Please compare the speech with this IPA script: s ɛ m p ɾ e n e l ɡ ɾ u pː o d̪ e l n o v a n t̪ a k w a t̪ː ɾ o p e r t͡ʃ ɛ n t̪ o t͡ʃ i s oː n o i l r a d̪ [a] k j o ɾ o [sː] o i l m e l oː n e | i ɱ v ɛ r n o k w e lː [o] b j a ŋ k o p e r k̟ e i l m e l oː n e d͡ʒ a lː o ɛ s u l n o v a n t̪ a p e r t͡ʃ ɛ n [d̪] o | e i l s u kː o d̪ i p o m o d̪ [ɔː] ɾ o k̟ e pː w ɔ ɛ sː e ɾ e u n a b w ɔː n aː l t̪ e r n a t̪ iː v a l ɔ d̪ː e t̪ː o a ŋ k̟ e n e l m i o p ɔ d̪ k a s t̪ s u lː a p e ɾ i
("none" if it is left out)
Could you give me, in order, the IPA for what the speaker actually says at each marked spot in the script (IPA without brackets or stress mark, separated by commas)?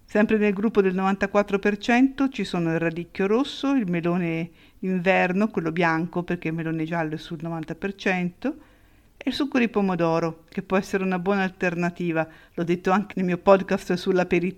i, sː, o, t̪, ɔː